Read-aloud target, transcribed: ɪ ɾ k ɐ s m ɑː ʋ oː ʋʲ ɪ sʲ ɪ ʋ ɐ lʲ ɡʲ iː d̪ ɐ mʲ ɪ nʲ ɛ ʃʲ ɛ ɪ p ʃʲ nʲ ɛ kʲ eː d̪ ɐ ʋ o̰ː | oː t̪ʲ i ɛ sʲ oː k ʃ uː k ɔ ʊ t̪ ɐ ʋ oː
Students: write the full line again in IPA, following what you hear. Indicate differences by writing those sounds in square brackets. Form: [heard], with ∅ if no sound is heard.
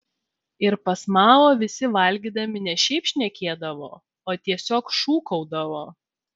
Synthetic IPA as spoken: ɪ ɾ [p] ɐ s m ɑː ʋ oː ʋʲ ɪ sʲ ɪ ʋ ɐ lʲ ɡʲ iː d̪ ɐ mʲ ɪ nʲ ɛ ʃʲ ɛ ɪ p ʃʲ nʲ ɛ kʲ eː d̪ ɐ ʋ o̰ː | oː t̪ʲ i ɛ sʲ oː k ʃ uː k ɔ ʊ [d̪] ɐ ʋ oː